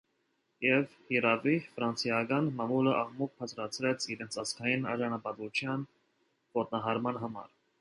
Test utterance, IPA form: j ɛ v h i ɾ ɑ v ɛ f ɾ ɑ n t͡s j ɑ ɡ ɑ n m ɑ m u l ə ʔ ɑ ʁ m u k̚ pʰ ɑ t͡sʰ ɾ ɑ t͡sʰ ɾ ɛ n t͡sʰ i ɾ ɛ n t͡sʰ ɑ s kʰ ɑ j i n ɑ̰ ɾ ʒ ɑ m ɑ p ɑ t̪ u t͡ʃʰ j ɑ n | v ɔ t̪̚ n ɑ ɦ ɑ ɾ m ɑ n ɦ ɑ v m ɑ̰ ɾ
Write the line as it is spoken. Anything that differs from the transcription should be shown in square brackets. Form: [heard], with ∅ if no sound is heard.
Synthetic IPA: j ɛ v h i ɾ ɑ v [i] f ɾ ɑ n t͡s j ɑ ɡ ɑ n m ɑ m u l ə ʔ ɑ ʁ m u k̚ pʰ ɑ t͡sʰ ɾ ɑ t͡sʰ ɾ ɛ [∅] t͡sʰ i ɾ ɛ n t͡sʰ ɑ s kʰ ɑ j i n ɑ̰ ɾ ʒ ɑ [n] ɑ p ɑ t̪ u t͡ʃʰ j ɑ n | v ɔ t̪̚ n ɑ ɦ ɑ ɾ m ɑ n ɦ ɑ [∅] m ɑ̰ ɾ